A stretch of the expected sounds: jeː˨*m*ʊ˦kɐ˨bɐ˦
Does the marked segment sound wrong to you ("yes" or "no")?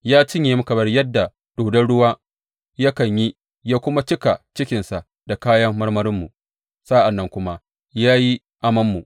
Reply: no